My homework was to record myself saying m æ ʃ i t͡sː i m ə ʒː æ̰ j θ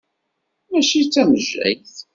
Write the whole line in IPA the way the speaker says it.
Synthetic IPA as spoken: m æ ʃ i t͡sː æ m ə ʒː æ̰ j θ